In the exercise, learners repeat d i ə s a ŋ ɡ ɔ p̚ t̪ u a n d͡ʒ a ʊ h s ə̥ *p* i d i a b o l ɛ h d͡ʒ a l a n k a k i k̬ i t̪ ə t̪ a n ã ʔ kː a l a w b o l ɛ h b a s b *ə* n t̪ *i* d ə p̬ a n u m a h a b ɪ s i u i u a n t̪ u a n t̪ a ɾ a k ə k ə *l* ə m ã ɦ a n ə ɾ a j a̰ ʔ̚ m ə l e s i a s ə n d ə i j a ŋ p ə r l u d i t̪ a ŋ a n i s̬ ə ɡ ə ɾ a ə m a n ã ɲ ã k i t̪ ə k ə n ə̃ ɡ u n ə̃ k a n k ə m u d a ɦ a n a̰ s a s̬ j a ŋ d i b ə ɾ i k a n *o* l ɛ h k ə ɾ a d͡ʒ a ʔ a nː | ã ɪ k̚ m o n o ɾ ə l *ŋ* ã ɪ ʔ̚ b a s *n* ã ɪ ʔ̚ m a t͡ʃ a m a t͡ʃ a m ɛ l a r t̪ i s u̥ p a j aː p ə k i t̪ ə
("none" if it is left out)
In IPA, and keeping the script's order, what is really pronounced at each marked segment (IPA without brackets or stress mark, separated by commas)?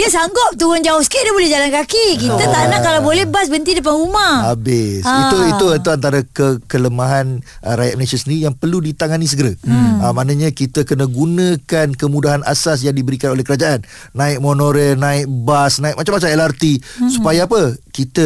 k, ə, i, l, o, n, n